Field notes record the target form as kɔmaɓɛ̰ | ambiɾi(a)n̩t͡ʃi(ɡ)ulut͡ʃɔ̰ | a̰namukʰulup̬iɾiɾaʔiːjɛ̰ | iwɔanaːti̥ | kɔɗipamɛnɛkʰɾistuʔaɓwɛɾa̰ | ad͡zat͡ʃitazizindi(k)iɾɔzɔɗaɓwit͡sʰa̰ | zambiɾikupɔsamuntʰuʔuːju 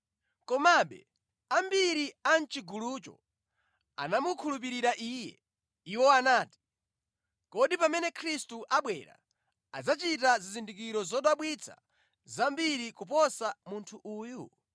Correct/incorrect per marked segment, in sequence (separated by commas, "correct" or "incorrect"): correct, correct, correct